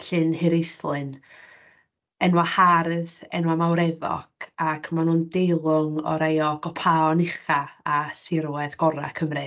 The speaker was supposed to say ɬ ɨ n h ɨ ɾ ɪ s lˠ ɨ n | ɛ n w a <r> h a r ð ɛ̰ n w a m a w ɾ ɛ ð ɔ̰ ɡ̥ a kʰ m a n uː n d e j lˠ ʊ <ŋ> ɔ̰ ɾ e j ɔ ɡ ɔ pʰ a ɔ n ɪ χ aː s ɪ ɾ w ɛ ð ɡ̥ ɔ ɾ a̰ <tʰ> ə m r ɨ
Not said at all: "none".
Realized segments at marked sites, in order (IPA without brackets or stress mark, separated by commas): none, ŋ, kʰ